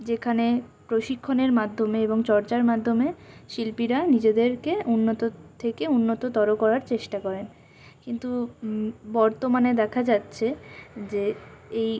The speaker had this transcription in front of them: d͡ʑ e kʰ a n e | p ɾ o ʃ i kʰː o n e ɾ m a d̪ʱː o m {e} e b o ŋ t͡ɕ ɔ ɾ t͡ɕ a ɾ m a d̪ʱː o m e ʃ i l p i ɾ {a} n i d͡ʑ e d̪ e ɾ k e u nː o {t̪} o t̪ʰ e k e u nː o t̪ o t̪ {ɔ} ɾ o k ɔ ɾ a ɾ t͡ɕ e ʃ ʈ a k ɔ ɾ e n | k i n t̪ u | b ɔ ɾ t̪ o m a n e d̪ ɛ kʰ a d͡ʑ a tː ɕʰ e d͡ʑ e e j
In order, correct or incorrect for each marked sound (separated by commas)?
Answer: correct, correct, correct, correct